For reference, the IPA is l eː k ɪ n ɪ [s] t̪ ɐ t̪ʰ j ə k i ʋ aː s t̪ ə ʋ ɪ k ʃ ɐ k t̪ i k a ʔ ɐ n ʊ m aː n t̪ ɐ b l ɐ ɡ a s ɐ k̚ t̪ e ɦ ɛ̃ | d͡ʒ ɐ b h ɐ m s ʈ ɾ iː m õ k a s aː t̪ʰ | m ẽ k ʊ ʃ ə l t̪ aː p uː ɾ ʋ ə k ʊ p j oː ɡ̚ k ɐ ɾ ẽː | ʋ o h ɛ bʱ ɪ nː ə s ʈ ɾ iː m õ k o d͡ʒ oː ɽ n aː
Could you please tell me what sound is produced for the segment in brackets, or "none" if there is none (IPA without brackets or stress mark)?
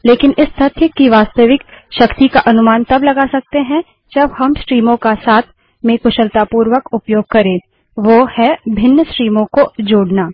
s